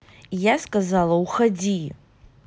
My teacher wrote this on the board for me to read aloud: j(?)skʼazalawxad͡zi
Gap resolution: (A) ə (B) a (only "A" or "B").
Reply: B